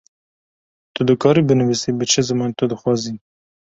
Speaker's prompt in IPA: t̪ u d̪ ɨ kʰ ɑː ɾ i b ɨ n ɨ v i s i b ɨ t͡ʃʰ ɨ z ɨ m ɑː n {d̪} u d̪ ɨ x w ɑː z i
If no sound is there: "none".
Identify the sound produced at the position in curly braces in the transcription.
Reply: t̪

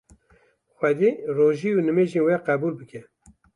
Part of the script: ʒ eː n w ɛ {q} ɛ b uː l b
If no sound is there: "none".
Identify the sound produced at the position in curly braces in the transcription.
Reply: q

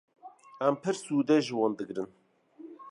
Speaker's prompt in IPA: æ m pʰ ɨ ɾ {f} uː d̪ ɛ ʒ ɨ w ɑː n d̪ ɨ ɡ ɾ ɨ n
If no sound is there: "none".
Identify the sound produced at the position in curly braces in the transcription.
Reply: s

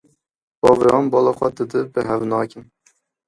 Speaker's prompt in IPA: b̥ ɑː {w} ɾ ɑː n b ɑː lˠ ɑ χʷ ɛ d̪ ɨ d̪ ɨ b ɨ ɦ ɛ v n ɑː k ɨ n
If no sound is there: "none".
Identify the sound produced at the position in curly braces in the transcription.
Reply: v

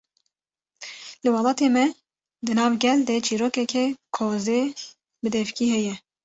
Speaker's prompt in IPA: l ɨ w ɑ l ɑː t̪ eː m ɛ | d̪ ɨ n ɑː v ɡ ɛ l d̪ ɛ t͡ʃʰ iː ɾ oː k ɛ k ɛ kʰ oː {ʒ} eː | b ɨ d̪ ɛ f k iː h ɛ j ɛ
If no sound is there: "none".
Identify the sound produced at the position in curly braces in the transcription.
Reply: z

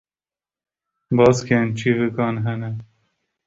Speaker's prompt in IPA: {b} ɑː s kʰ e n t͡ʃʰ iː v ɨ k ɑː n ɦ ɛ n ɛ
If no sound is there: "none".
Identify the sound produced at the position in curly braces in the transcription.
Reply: b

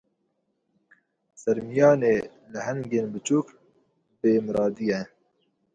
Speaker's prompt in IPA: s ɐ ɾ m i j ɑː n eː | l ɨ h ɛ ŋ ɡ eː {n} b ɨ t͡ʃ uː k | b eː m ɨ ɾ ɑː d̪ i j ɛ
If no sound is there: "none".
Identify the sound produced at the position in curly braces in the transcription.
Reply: n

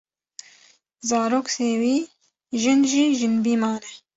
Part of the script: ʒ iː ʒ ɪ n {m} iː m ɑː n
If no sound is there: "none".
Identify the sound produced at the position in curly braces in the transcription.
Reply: b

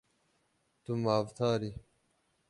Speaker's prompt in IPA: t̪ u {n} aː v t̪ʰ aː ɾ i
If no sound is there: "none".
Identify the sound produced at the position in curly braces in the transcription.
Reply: m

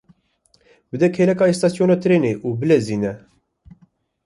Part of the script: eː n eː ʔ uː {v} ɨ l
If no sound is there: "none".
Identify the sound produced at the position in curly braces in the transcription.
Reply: b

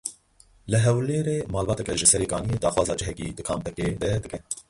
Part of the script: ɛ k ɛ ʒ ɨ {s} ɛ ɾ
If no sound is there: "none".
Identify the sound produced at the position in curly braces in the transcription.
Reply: s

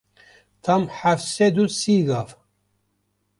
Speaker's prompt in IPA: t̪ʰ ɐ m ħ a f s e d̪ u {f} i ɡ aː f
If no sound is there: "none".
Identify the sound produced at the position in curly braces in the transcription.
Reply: s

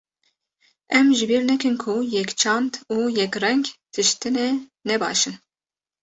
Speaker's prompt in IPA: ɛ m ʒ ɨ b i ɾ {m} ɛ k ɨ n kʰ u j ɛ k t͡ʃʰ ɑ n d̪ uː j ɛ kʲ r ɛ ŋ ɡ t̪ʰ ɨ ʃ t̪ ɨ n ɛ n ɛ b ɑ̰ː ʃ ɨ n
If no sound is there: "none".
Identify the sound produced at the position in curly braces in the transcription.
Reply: n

